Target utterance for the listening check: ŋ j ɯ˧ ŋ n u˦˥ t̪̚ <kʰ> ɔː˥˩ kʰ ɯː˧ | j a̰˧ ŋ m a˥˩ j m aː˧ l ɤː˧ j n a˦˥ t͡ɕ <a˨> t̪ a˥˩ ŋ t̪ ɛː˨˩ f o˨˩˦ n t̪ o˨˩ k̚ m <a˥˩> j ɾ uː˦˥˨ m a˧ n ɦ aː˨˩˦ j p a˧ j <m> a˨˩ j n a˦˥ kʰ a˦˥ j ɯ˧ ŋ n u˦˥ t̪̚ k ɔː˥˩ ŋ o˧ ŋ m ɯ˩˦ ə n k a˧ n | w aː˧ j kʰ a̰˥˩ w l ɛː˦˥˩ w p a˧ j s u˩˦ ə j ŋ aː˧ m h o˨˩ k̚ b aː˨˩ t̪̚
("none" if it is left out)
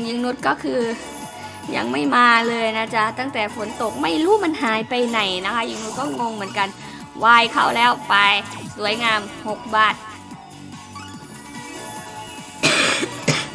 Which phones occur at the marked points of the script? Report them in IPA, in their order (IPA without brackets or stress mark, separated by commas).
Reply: k, a˦˥, a˥˩, n